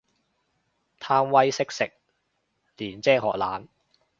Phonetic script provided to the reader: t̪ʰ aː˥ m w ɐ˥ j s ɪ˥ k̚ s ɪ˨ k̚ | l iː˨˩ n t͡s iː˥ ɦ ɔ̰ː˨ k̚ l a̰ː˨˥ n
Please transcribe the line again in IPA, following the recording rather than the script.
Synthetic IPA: t̪ʰ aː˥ m w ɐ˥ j s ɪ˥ k̚ s ɪ˨ k̚ | l iː˨˩ n t͡s ɛː˥ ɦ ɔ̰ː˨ k̚ l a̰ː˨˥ n